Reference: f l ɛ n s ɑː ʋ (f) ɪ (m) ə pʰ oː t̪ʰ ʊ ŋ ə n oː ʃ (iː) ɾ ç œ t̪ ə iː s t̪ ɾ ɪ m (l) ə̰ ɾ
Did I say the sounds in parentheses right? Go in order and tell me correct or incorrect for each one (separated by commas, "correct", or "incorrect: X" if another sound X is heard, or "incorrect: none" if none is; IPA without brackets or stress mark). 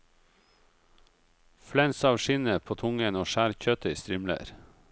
incorrect: ʃ, incorrect: n, incorrect: æː, correct